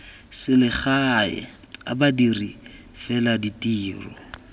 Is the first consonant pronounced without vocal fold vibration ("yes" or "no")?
yes